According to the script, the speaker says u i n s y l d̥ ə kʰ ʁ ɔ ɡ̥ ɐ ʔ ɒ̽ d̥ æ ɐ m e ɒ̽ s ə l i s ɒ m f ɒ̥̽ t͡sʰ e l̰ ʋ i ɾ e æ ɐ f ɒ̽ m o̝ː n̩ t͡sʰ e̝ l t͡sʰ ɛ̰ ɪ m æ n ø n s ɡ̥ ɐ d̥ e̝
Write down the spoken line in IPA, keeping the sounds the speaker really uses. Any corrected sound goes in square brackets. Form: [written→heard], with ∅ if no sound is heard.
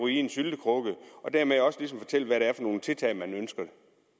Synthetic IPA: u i n s y l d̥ ə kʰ ʁ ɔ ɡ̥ [ɐ→ə] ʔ ɒ̽ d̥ æ ɐ m e ɒ̽ s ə l i s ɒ m f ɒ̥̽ t͡sʰ e l̰ ʋ [i→æ] ɾ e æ ɐ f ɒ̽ [m→n] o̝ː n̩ t͡sʰ e̝ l t͡sʰ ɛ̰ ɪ m æ n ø n s ɡ̥ ɐ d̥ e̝